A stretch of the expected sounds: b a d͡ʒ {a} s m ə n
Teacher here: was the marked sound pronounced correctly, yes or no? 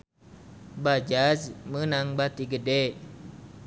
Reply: yes